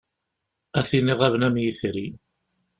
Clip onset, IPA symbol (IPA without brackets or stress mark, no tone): æ